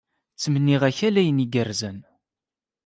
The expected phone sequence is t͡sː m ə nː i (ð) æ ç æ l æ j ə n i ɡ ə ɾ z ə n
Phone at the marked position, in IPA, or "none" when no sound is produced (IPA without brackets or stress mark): ʁ